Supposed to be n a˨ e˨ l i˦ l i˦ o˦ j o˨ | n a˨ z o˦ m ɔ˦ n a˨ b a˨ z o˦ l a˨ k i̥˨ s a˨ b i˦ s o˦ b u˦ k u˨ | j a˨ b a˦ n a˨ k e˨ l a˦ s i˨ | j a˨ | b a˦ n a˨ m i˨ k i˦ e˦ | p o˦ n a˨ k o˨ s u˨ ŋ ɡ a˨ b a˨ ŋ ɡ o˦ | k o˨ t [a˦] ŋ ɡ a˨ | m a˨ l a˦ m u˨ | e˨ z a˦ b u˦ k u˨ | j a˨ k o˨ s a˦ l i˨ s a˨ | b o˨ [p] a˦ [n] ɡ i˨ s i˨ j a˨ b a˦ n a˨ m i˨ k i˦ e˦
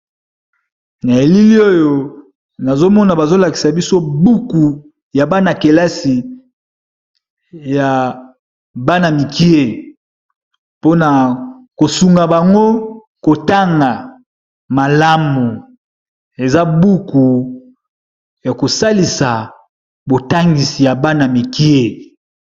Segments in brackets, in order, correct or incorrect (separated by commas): correct, incorrect, incorrect